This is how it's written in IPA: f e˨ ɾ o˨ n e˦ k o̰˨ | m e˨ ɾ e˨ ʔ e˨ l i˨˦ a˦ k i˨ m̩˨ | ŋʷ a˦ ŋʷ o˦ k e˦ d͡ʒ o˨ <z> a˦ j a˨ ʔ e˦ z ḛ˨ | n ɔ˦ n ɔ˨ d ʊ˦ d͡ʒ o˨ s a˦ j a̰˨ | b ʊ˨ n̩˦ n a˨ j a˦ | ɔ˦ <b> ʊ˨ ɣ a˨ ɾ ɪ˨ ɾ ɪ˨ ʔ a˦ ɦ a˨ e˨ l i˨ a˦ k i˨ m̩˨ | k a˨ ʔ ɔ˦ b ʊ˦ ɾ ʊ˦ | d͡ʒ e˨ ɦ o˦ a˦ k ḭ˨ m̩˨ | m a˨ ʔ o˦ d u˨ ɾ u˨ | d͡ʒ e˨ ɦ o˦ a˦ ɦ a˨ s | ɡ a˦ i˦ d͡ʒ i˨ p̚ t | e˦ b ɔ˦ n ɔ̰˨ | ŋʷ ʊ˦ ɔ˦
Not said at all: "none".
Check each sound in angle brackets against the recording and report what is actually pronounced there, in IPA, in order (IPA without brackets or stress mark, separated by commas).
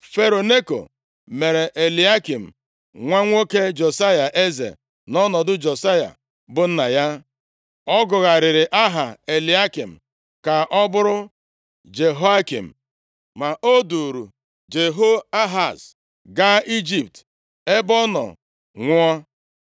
s, ɡ